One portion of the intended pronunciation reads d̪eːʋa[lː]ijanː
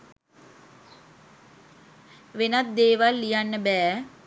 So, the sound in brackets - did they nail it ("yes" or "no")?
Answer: yes